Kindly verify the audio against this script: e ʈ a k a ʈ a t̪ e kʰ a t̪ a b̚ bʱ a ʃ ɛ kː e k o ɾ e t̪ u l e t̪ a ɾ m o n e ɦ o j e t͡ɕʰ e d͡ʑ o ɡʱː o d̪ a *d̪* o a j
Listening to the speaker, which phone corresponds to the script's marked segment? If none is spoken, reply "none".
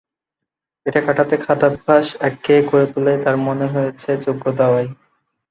none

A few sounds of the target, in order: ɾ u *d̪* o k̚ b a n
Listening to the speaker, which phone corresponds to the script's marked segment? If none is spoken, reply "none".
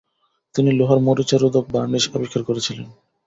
d̪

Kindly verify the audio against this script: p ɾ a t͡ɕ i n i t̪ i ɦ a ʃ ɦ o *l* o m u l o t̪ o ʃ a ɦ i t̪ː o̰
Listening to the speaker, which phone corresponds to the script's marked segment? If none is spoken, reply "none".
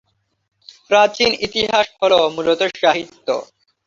l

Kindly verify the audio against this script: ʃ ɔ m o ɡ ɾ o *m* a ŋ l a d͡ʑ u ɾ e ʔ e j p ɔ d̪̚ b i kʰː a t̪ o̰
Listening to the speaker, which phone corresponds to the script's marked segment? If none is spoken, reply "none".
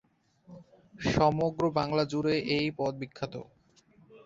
b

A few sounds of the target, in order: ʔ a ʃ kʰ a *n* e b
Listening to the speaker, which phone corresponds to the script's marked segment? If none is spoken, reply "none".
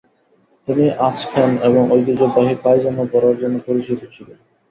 n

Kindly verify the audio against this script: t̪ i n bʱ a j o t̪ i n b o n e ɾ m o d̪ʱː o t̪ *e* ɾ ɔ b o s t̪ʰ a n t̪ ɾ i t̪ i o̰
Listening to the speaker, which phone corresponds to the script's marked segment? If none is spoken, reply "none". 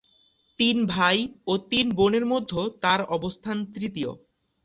a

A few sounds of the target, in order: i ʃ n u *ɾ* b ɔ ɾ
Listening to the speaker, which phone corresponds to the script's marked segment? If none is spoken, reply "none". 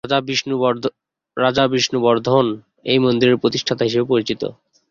none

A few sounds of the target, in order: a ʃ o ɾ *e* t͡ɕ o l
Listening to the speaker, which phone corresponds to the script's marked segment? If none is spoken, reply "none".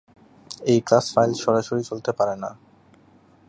i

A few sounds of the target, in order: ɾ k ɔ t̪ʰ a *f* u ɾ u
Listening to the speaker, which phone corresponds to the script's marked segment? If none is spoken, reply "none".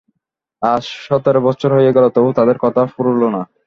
f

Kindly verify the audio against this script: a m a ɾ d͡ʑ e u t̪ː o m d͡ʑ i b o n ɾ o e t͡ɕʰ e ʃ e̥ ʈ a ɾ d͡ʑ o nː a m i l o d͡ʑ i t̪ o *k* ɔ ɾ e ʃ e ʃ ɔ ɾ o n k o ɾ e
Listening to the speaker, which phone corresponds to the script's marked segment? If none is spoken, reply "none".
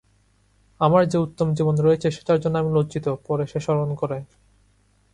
p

